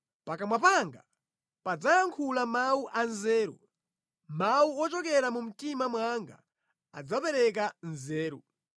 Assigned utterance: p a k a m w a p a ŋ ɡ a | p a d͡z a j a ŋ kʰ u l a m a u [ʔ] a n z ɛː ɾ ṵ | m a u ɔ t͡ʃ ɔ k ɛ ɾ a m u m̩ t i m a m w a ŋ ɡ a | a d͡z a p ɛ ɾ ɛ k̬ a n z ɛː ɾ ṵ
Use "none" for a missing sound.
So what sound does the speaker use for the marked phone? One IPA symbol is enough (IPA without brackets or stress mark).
ʔ